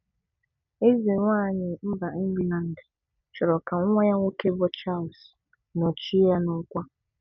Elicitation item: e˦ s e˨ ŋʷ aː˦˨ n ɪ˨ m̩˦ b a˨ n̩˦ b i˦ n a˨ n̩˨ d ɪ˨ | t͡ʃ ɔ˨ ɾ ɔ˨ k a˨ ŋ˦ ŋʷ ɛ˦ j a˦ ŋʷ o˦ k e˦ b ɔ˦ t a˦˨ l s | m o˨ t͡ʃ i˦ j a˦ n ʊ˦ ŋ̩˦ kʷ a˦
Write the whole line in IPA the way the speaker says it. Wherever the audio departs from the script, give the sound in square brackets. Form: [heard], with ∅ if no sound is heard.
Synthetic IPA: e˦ [z] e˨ ŋʷ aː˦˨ [ɲ] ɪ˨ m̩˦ b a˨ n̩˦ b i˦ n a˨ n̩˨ d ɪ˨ | t͡ʃ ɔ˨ ɾ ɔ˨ k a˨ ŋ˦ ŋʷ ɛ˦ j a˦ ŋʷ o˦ k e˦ b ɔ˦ [t͡ʃ] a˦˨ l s | [n] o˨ t͡ʃ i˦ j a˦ n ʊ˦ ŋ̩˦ kʷ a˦